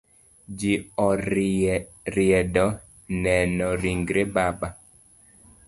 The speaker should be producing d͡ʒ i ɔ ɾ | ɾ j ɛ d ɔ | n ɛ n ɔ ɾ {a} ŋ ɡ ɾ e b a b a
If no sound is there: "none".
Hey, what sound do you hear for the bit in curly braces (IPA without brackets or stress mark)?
i